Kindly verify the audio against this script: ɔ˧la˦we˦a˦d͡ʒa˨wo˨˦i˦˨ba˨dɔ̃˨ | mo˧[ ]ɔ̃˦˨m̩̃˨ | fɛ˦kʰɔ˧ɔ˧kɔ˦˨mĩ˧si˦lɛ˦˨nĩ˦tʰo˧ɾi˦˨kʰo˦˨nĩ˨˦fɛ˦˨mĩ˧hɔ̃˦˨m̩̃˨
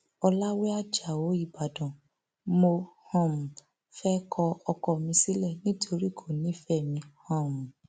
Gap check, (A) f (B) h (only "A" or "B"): B